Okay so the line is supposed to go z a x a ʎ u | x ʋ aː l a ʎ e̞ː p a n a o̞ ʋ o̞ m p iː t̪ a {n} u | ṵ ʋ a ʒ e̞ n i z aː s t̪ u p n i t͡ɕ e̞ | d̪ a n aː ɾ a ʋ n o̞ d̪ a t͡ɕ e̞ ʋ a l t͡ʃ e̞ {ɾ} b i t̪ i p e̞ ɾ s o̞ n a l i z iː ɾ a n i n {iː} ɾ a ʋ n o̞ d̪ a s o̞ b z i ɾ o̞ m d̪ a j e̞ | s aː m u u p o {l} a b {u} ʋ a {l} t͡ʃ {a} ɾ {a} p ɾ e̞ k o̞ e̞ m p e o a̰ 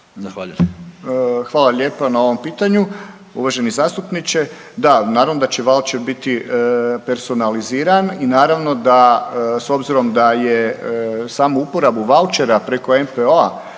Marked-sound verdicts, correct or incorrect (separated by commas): incorrect, correct, incorrect, incorrect, correct, correct, incorrect, correct